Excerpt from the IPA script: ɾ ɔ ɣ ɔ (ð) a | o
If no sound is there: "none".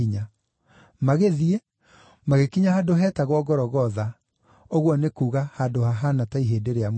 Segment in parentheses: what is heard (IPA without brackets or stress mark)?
ð